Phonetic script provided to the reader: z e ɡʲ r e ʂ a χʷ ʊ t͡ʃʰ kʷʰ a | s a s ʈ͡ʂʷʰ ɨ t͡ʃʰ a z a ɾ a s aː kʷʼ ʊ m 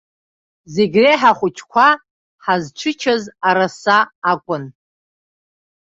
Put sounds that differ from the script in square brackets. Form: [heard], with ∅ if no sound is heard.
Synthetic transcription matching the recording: z e ɡʲ r e [ħ] a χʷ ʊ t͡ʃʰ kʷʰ a | [ħ] a [z] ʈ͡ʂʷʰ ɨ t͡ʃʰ a z a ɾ a s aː kʷʼ ʊ [n]